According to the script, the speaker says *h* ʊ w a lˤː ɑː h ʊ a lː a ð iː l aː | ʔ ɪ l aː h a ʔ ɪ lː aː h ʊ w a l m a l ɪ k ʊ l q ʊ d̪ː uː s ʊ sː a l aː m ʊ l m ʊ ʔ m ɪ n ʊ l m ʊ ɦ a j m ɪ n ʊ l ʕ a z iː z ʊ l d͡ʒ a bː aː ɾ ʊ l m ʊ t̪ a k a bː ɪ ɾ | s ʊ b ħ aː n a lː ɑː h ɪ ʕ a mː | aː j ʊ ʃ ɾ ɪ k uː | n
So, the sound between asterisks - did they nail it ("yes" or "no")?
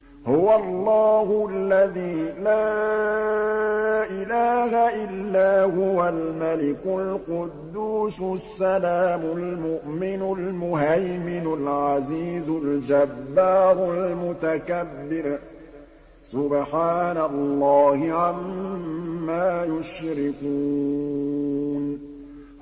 yes